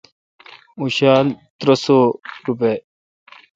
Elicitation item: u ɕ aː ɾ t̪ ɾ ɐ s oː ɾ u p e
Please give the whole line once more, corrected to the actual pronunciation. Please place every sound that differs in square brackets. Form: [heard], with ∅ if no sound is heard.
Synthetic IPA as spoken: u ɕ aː [l] t̪ ɾ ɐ s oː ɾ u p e